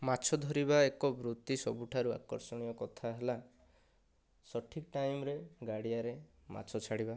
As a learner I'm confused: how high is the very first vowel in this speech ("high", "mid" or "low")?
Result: low